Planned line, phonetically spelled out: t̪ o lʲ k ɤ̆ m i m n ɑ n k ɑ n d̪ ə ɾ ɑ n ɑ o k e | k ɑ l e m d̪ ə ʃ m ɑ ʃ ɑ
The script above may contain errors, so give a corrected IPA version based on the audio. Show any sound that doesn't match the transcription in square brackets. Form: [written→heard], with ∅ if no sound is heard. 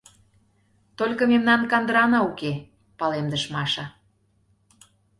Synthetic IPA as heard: t̪ o lʲ k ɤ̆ m [i→e] m n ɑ n k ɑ n d̪ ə ɾ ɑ n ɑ [o→u] k e | [k→p] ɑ l e m d̪ ə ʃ m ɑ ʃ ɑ